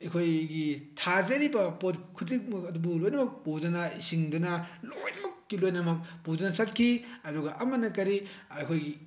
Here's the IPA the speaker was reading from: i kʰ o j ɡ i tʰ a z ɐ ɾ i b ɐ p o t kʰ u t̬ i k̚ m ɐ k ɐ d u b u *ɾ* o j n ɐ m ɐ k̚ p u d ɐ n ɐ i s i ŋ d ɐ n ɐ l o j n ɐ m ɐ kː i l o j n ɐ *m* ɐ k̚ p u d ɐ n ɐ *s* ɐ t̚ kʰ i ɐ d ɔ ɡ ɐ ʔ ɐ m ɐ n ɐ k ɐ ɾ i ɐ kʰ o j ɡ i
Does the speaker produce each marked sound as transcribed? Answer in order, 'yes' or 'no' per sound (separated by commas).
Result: no, yes, yes